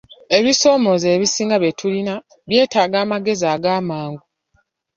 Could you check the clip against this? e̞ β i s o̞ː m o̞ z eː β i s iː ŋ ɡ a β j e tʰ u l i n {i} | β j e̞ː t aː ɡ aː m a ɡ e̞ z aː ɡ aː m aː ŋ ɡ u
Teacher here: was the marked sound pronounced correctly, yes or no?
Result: no